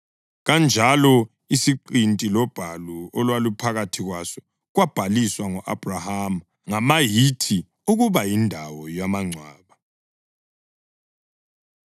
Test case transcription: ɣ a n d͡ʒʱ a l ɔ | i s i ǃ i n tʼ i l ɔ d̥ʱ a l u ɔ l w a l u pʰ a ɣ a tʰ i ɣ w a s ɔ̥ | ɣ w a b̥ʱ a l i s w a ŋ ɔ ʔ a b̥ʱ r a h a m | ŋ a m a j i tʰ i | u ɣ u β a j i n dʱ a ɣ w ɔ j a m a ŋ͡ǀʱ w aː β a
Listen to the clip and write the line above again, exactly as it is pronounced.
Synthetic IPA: ɣ a n d͡ʒʱ a l ɔ | i s i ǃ i n tʼ i l ɔ b̥ʱ a l u ɔ l w a l u pʰ a ɣ a tʰ i ɣ w a s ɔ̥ | ɣ w a b̥ʱ a l i s w a ŋ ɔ ʔ a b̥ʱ r a h a m | ŋ a m a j i tʰ i | u ɣ u β a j i n dʱ a w ɔ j a m a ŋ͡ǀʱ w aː β a